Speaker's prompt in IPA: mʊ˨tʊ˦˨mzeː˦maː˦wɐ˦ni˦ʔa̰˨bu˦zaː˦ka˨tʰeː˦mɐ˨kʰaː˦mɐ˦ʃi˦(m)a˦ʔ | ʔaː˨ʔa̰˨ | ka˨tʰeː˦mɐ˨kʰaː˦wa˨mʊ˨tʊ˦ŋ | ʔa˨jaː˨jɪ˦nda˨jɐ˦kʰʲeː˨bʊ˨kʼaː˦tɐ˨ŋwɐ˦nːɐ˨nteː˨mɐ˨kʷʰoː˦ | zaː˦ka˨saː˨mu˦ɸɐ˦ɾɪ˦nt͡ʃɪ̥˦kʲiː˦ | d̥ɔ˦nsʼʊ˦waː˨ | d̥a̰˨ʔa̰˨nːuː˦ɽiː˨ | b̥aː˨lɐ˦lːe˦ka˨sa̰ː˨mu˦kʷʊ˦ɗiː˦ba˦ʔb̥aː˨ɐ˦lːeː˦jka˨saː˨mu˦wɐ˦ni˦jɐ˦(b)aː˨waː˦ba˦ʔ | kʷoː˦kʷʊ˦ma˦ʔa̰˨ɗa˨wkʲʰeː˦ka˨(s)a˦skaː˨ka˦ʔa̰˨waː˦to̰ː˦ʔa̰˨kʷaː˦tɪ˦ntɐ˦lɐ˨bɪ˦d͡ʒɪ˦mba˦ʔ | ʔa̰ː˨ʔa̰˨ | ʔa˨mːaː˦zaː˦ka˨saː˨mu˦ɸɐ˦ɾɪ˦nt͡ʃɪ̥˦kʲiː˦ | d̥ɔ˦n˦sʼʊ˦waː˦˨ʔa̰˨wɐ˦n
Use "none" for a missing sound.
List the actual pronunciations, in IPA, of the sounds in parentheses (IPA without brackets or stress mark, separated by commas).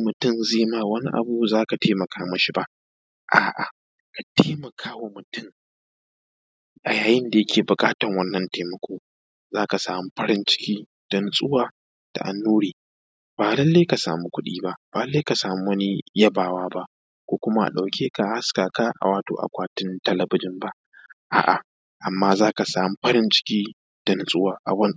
b, b, h